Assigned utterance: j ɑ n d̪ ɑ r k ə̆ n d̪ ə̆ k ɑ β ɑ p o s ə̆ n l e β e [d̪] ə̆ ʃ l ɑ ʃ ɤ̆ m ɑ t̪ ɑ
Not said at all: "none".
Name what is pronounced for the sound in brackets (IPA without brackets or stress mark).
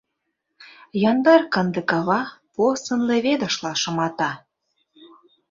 d̪